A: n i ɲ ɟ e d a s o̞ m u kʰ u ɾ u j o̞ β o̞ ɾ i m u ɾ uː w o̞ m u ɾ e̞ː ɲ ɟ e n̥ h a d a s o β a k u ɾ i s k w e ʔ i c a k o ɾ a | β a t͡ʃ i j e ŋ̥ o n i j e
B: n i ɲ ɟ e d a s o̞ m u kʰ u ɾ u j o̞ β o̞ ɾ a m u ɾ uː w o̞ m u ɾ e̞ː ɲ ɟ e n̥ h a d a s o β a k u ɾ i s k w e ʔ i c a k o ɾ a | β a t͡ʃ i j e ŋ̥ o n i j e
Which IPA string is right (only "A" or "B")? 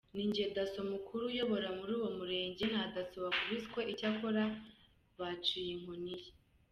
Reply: B